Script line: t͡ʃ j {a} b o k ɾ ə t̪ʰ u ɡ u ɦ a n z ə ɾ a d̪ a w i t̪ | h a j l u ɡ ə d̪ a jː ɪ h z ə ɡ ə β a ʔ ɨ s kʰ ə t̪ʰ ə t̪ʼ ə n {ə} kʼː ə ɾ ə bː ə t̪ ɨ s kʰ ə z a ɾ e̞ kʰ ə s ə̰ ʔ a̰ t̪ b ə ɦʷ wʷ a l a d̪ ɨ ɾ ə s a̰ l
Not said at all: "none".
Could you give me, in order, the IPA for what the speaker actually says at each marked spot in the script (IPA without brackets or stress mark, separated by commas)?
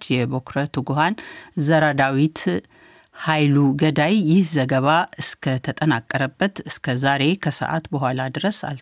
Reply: ɛ, a